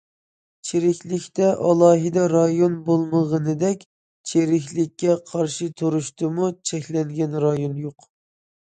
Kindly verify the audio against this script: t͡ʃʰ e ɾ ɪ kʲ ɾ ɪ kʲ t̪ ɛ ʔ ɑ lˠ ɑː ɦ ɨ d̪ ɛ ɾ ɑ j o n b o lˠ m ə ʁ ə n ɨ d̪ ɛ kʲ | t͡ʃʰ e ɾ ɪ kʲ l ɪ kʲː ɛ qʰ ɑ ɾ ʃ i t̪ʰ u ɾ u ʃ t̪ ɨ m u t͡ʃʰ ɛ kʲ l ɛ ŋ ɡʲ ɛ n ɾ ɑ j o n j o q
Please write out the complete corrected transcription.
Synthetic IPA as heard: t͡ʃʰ e ɾ ɪ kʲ l ɪ kʲ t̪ ɛ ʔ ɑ lˠ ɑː ɦ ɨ d̪ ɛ ɾ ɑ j o n b o lˠ m ə ʁ ə n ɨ d̪ ɛ kʲ | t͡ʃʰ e ɾ ɪ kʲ l ɪ kʲː ɛ qʰ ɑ ɾ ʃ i t̪ʰ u ɾ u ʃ t̪ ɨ m u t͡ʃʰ ɛ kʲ l ɛ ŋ ɡʲ ɛ n ɾ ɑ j o n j o q